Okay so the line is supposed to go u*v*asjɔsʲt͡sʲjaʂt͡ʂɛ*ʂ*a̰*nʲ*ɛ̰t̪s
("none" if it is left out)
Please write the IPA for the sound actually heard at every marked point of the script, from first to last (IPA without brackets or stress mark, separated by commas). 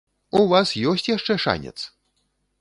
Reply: v, ʂ, nʲ